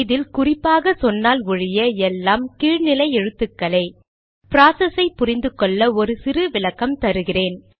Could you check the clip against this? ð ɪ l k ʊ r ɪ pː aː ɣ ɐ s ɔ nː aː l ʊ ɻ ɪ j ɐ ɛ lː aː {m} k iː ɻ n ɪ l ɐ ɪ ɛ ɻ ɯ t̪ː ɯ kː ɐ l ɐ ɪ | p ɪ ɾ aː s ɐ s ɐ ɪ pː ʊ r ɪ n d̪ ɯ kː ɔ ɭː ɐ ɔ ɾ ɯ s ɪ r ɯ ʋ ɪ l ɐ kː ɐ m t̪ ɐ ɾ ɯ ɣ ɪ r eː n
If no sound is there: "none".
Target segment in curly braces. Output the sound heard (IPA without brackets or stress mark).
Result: m